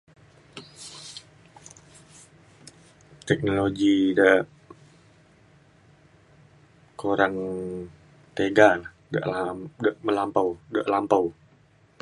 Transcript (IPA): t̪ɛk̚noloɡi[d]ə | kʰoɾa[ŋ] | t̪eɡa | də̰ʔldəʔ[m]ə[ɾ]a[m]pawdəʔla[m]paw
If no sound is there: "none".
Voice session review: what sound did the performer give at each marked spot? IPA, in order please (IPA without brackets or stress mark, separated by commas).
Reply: d, ŋ, m, l, m, m